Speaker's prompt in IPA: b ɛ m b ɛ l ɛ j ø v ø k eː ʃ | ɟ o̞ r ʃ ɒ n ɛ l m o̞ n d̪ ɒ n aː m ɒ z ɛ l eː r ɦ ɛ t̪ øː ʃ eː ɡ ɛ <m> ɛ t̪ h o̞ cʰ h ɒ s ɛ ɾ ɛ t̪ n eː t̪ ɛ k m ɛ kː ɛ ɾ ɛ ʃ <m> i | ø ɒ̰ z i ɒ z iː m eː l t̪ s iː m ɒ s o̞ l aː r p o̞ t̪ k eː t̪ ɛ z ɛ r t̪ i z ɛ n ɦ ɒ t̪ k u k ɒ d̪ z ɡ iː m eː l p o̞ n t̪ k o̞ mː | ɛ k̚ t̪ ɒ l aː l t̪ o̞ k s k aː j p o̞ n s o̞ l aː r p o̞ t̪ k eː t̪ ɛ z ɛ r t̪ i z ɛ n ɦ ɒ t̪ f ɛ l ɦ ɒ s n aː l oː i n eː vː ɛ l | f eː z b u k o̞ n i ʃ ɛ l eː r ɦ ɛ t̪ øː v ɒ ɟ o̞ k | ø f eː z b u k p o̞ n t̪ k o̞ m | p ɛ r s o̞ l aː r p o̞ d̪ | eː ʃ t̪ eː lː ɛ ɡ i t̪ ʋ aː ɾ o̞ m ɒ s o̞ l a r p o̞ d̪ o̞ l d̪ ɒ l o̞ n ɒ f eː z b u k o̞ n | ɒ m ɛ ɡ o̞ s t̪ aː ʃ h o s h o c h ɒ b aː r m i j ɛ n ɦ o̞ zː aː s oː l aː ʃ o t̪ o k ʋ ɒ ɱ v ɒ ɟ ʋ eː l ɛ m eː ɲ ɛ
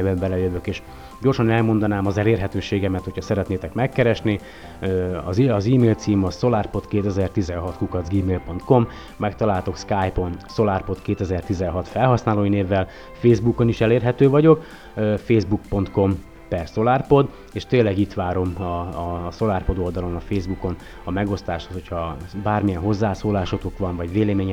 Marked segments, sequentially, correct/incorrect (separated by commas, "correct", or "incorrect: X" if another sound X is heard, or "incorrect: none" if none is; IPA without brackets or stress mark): correct, incorrect: n